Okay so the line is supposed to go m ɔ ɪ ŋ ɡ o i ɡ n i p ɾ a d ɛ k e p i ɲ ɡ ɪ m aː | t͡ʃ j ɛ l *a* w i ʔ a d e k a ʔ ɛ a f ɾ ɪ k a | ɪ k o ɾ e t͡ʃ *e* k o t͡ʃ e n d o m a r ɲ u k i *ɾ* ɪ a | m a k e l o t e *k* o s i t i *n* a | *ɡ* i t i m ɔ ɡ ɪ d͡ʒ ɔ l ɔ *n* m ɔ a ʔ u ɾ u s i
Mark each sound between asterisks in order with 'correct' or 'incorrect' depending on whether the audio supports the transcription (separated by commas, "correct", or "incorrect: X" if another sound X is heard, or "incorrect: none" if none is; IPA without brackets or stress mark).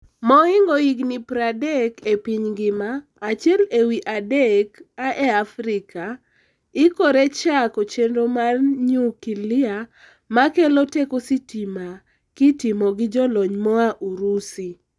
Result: incorrect: e, incorrect: a, incorrect: l, correct, incorrect: m, incorrect: k, incorrect: ɲ